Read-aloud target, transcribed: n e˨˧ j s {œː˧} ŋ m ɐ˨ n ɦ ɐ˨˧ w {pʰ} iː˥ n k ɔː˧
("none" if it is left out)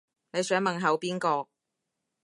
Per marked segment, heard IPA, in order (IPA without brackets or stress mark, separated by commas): œː˨˥, p